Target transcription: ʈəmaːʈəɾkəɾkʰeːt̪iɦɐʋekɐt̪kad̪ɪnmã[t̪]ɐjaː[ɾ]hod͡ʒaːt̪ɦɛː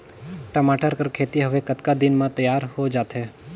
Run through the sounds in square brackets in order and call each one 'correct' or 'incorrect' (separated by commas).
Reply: correct, correct